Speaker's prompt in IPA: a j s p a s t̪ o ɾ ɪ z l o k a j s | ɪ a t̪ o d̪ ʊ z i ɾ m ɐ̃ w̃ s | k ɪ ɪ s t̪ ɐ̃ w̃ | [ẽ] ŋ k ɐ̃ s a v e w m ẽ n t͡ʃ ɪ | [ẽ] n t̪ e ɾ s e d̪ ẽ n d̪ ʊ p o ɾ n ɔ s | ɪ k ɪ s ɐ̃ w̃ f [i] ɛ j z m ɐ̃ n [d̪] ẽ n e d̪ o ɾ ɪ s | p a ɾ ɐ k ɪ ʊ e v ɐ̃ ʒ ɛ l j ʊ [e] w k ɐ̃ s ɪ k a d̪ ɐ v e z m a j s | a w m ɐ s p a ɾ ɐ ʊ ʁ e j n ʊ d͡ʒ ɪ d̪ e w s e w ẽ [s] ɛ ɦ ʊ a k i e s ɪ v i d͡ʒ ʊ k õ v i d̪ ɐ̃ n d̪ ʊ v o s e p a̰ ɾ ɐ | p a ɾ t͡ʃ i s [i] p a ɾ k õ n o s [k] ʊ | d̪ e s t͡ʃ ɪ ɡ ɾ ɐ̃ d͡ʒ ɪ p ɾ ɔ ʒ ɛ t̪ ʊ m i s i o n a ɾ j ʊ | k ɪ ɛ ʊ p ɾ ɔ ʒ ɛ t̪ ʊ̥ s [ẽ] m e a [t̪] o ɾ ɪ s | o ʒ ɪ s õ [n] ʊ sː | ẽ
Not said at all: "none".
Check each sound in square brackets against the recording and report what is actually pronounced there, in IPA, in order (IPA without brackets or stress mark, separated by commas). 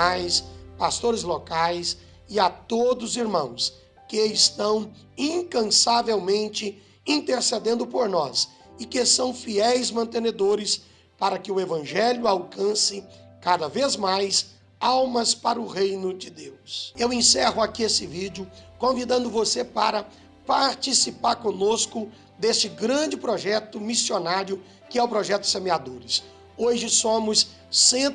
ĩ, ĩ, i, t̪, a, s, i, k, e, d̪, m